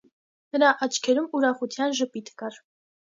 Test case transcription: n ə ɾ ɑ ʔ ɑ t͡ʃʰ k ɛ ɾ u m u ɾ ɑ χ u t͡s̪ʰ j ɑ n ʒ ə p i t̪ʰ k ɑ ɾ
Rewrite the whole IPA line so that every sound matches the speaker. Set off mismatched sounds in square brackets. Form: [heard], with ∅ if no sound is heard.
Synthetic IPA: n ə ɾ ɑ ʔ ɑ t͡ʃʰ [kʰ] ɛ ɾ u m u ɾ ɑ χ u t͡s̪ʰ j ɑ n ʒ ə p i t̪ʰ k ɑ ɾ